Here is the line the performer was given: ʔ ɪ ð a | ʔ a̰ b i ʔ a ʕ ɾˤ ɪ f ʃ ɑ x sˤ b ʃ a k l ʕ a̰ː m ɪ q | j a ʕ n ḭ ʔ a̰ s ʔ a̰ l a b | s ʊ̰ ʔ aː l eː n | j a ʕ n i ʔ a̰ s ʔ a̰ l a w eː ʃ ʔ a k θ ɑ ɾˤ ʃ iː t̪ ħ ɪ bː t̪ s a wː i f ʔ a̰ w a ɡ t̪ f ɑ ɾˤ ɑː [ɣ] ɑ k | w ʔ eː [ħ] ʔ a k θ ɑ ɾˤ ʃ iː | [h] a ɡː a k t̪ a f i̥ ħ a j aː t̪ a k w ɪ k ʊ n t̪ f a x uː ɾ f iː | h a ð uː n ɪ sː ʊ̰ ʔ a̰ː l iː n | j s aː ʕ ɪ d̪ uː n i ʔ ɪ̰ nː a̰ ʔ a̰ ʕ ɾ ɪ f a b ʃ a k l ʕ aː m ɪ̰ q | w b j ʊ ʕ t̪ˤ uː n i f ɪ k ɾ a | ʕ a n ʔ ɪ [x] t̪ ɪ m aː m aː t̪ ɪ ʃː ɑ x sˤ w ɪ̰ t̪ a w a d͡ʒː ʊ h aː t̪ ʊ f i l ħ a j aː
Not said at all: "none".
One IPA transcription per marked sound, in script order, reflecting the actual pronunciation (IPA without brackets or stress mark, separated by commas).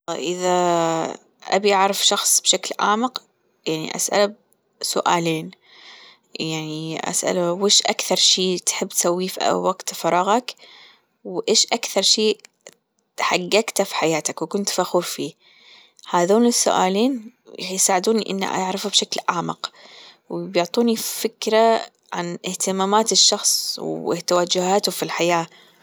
ɣ, ʃ, ħ, h